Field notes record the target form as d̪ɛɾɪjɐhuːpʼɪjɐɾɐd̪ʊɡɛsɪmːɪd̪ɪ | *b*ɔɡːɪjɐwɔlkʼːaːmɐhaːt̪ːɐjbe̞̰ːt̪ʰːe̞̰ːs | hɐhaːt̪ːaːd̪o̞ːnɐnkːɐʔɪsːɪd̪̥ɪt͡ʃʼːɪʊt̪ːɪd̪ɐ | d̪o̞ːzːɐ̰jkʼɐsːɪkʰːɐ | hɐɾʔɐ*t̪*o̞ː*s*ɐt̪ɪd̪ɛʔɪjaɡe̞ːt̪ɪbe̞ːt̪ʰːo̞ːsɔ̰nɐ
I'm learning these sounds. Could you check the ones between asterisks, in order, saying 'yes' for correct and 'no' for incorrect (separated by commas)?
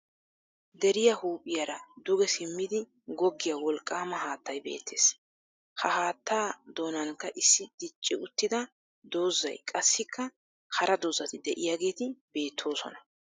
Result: no, no, no